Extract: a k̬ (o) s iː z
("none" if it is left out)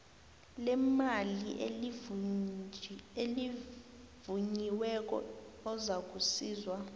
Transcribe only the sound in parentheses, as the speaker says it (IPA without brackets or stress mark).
u